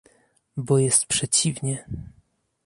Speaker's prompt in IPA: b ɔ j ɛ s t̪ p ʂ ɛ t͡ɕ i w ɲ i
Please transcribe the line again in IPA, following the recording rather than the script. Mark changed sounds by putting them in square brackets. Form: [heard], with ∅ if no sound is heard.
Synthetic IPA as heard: b ɔ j ɛ s t̪ p ʂ ɛ t͡ɕ i [v] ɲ [ɛ]